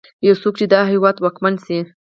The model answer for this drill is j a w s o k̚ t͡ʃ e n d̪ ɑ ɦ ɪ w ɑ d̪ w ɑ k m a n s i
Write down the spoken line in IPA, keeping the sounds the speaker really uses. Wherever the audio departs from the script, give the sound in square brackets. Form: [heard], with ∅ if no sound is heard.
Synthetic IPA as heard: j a w s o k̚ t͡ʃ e [∅] d̪ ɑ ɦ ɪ w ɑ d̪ w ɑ k m a n s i